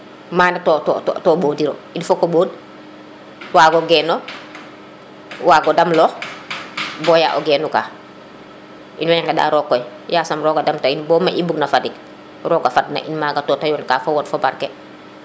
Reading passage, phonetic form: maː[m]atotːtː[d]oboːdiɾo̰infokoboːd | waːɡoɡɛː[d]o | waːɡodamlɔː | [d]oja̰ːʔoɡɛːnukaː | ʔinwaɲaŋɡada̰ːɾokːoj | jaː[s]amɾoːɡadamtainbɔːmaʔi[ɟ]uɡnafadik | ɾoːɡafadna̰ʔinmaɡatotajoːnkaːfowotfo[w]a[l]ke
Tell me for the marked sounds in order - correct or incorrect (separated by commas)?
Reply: incorrect, incorrect, incorrect, incorrect, correct, incorrect, incorrect, incorrect